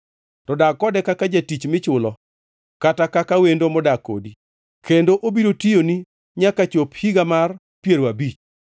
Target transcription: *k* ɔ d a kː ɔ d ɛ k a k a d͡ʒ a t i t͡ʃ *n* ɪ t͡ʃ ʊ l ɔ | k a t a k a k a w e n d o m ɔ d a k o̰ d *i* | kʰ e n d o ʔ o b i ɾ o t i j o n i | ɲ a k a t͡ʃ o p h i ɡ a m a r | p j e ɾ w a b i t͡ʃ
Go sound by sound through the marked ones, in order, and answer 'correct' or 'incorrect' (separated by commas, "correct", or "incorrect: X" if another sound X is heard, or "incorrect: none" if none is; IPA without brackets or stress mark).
incorrect: t, incorrect: m, correct